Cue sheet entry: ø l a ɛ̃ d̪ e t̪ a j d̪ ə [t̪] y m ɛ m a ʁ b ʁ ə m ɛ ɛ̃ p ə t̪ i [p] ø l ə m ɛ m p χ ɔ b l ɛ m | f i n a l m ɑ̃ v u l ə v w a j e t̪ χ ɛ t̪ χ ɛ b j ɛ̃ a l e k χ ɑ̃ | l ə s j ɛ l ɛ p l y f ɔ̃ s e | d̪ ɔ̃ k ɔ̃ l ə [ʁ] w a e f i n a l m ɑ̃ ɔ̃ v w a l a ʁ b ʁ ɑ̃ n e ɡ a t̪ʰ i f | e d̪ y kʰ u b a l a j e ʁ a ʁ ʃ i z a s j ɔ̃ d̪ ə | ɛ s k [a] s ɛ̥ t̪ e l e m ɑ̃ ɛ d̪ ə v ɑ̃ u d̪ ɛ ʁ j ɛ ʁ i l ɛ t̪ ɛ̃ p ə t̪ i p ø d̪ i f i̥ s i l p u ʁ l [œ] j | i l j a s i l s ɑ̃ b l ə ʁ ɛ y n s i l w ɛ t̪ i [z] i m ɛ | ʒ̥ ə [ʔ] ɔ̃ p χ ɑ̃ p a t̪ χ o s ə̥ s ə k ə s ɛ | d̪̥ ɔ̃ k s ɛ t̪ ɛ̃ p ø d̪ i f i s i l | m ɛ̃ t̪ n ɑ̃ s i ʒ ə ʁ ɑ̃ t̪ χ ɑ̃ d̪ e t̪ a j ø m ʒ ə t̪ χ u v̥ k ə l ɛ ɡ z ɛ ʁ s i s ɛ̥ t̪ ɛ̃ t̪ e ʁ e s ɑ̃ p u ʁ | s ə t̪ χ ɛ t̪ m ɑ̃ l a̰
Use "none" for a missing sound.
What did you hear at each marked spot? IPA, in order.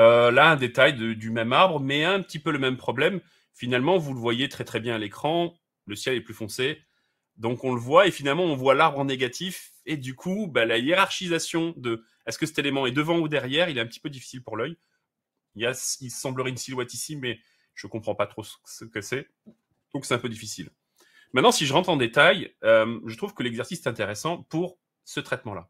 d̪, p, v, ə, œ, s, k

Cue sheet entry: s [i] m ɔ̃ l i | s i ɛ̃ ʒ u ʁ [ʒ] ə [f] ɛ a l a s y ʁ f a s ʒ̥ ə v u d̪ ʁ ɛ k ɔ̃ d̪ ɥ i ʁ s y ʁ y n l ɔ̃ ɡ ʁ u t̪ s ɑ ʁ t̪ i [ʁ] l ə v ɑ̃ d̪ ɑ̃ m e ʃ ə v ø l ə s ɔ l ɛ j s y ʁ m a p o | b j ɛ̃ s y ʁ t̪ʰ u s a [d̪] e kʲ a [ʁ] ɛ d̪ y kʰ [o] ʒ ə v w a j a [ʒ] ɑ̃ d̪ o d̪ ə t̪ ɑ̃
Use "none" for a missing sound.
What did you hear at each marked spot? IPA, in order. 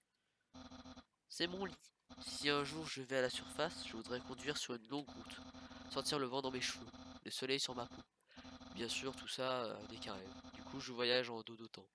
ɛ, ʒ, v, ʁ, d̪, ʁ, u, ʒ

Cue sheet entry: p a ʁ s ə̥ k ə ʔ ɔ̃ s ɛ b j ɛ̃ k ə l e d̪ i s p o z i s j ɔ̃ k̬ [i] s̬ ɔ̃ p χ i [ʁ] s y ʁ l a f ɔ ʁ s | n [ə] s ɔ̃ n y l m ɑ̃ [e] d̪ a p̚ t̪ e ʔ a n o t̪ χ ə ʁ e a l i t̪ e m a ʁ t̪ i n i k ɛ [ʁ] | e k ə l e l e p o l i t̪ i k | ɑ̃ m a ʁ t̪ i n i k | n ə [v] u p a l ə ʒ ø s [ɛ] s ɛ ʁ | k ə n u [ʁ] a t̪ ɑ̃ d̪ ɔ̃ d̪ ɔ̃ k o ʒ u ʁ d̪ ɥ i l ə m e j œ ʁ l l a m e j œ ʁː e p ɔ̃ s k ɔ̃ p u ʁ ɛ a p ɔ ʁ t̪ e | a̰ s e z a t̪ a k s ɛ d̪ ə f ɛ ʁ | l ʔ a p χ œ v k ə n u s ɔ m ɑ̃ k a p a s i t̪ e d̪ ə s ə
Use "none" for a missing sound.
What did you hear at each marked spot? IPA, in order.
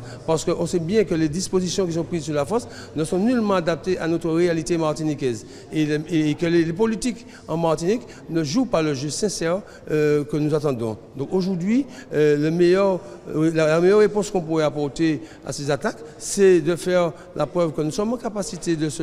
i, z, ə, a, z, ʒ, ɛ̃, z

